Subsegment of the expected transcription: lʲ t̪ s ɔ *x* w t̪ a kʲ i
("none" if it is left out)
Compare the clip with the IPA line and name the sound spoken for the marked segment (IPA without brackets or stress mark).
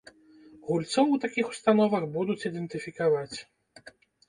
none